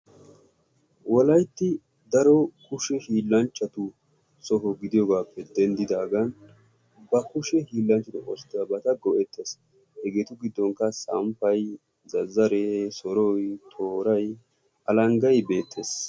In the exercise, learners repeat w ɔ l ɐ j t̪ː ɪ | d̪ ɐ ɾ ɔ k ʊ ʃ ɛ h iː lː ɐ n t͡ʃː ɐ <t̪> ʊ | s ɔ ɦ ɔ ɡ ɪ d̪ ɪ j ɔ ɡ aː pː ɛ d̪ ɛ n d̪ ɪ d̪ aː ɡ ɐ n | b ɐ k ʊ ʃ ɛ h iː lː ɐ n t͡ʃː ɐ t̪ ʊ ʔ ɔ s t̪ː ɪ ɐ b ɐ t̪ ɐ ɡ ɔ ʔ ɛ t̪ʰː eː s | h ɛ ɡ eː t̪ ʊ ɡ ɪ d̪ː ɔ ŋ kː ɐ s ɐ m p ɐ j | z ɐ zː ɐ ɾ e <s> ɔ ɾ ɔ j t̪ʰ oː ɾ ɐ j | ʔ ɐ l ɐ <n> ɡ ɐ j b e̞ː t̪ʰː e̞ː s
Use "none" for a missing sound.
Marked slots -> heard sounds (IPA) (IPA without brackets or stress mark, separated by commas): t̪, s, ŋ